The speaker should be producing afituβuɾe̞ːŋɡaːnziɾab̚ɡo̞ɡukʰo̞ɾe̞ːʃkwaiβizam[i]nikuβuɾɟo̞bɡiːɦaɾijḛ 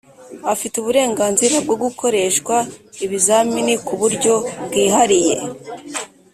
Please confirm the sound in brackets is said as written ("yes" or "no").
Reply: yes